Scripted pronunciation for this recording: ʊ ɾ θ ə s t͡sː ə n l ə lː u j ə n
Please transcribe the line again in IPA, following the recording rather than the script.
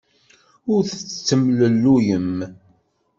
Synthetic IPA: ʊ ɾ θ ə t͡s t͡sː ə m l ə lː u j ə m